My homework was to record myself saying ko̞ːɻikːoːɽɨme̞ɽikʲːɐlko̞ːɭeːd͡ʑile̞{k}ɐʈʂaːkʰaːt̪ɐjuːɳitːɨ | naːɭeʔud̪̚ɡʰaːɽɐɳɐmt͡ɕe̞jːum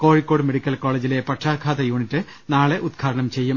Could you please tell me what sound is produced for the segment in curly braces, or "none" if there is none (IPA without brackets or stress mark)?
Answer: p